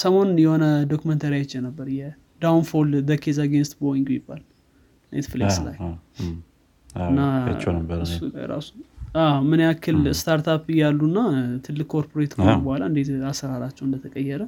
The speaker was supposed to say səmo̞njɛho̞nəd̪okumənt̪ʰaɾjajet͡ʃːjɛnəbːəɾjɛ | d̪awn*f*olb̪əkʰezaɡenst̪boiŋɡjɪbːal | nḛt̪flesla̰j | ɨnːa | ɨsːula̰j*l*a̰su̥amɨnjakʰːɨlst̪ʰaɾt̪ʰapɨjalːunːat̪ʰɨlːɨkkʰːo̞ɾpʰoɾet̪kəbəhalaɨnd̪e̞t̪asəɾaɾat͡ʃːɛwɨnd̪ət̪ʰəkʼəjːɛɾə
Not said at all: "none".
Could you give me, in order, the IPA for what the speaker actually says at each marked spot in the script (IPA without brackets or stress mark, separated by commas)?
f, ɾ